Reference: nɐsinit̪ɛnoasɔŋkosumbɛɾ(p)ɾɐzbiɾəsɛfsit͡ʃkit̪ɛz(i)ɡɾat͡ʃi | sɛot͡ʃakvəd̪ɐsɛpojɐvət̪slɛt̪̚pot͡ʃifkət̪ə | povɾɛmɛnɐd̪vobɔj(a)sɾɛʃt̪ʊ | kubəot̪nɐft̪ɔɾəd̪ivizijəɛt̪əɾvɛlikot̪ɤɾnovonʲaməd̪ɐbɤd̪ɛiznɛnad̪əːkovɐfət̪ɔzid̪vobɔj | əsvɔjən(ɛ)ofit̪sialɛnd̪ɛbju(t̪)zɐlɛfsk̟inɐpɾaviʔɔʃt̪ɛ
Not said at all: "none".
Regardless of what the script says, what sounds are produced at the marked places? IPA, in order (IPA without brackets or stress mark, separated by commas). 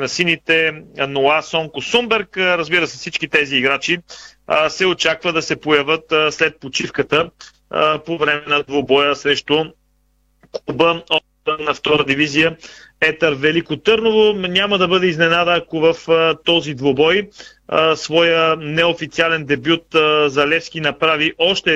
k, iː, ə, ɛ, t̪